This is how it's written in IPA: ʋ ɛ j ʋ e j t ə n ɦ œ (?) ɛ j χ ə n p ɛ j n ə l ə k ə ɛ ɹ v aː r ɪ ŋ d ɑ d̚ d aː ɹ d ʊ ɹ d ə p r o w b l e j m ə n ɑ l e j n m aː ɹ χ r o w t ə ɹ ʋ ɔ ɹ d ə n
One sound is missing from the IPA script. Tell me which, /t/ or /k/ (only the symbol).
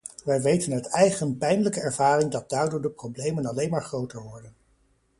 t